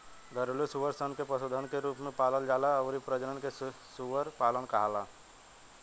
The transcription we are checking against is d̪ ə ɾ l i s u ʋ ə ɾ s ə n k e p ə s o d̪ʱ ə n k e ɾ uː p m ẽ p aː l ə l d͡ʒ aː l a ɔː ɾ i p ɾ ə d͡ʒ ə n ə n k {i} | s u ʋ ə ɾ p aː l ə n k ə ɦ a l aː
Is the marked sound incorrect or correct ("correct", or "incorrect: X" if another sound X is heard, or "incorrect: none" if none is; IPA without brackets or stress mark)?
incorrect: e